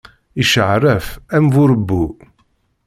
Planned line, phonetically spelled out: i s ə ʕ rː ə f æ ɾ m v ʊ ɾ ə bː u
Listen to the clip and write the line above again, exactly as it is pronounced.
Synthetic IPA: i ʃ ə ʕ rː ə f æ m v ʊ ɾ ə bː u